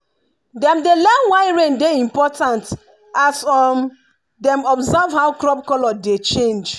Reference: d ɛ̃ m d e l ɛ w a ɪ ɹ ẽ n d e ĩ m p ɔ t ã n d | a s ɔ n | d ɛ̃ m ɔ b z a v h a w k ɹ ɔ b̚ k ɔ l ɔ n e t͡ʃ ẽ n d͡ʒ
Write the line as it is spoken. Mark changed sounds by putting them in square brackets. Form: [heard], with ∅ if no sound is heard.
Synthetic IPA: d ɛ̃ m d e l ɛ w a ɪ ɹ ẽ n d e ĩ m p ɔ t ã n [t] | a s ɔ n | d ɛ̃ m ɔ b z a v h a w k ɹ ɔ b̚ k ɔ l ɔ [d] e t͡ʃ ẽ n d͡ʒ